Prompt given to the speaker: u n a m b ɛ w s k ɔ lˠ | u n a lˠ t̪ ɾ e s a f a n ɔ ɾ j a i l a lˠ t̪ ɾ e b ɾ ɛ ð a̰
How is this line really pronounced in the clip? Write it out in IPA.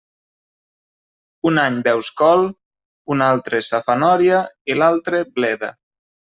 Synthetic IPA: u n a ɲ b ɛ w s k ɔ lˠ | u n a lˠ t̪ ɾ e s a f a n ɔ ɾ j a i l a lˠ t̪ ɾ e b l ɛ ð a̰

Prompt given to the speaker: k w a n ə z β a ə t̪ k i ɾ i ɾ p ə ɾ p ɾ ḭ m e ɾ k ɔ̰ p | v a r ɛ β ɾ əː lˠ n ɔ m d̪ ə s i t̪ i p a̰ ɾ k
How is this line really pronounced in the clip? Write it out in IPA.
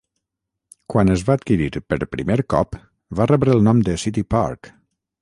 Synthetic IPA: k w a n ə z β a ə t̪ k i ɾ i ɾ p ə ɾ p ɾ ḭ m e ɾ k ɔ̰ p | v a r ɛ β ɾ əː lˠ n ɔ m d̪ ə s i t̪ i p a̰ ɾ k

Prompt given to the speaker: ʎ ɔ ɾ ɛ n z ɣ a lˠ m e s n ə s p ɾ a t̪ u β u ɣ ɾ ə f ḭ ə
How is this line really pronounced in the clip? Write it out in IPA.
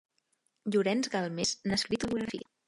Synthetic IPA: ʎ u ɾ ɛ n z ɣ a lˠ m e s n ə s k ɾ i t̪ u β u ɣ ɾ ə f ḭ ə

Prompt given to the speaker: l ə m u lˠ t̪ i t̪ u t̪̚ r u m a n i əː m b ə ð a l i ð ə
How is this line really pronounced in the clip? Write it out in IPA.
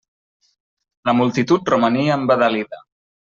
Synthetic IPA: l ə m u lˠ t̪ i t̪ u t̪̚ r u m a n i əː m b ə ð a l i ð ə

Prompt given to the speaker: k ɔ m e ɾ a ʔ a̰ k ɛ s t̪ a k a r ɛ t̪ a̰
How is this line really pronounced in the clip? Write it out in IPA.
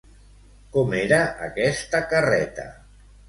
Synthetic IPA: k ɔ m e ɾ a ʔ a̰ k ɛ s t̪ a k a r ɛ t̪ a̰

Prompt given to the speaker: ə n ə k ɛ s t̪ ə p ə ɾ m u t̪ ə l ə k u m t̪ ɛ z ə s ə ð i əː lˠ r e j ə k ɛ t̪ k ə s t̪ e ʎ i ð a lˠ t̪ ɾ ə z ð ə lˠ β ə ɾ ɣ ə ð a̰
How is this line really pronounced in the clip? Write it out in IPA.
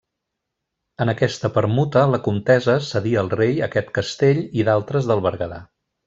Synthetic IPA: ə n ə k ɛ s t̪ ə p ə ɾ m u t̪ ə l ə k u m t̪ ɛ z ə s ə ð i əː lˠ r e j ə k ɛ t̪ k ə s t̪ e ʎ i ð a lˠ t̪ ɾ ə z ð ə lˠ β ə ɾ ɣ ə ð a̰

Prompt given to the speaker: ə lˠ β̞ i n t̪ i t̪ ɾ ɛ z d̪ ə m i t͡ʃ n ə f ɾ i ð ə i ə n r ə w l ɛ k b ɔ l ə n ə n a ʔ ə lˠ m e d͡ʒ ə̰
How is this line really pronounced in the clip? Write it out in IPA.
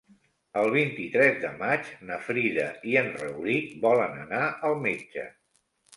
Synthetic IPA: ə lˠ β̞ i n t̪ i t̪ ɾ ɛ z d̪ ə m a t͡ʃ n ə f ɾ i ð ə i ə n r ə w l i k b ɔ l ə n ə n a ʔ ə lˠ m e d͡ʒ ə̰

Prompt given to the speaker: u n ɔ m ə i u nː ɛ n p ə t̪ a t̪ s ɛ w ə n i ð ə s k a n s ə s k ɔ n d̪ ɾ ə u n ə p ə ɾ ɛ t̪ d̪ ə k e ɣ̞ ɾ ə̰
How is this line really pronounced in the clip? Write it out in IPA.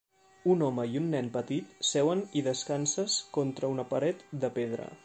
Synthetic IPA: u n ɔ m ə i u nː ɛ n p ə t̪ i t̪ s ɛ w ə n i ð ə s k a n s ə s k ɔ n t̪ ɾ ə u n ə p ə ɾ ɛ t̪ d̪ ə p e ð̞ ɾ ə̰

